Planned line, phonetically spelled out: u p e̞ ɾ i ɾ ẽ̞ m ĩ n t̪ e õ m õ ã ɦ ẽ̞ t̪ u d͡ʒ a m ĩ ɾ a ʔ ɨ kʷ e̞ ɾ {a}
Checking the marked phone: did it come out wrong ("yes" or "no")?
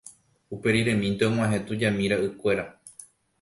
no